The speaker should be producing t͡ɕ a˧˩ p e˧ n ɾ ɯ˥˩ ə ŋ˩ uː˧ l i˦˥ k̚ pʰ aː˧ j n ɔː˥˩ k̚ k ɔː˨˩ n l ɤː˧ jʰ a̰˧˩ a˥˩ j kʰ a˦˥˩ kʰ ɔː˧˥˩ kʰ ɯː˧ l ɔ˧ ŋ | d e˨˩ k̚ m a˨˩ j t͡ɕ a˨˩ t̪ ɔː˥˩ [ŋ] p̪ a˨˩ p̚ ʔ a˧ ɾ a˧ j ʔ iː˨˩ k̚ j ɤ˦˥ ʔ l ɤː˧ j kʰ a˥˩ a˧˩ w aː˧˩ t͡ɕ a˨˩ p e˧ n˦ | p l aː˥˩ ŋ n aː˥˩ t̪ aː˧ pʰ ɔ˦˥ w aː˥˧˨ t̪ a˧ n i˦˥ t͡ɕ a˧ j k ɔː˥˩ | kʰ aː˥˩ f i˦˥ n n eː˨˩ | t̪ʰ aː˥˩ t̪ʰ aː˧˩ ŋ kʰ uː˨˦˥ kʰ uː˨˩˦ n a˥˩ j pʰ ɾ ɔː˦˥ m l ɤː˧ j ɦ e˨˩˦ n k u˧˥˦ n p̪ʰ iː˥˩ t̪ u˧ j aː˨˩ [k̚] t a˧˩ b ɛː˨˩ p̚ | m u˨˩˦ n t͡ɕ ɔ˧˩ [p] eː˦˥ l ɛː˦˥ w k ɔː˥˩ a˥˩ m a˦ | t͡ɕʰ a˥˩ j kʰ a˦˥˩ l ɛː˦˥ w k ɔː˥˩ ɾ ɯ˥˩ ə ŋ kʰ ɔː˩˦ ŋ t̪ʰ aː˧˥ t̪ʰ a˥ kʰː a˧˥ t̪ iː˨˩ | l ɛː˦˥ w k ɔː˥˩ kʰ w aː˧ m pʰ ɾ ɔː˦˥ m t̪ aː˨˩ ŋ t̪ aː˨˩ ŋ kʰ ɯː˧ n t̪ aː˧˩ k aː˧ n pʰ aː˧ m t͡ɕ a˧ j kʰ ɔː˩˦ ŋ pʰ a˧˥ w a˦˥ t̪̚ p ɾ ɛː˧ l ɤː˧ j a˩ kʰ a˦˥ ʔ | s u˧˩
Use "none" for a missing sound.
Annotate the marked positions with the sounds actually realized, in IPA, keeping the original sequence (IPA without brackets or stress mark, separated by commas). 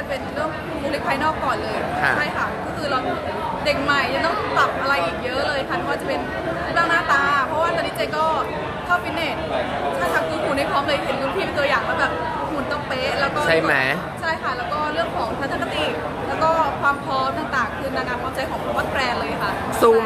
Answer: ŋ, k̚, p